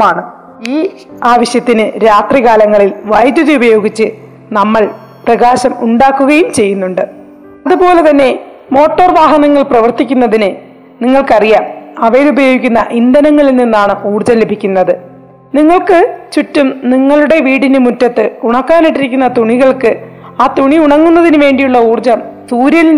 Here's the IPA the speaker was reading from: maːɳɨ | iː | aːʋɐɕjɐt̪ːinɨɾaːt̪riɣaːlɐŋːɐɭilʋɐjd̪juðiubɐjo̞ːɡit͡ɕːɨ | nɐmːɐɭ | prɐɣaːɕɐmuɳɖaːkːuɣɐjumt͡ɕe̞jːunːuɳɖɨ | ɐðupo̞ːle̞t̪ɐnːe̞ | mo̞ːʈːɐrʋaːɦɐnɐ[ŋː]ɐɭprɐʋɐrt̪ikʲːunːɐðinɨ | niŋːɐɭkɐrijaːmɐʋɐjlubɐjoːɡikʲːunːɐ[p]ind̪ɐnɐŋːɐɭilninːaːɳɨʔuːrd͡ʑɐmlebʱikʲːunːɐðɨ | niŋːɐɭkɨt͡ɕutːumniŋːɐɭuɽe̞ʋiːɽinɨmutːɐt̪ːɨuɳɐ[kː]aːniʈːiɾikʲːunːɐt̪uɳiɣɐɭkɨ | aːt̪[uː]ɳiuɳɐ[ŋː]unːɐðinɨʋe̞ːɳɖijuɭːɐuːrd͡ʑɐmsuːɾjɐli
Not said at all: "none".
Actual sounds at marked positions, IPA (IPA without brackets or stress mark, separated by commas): ŋː, ʔ, kː, u, ŋː